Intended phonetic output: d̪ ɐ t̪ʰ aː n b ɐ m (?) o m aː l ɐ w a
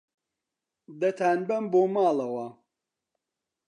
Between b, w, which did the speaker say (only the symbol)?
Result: b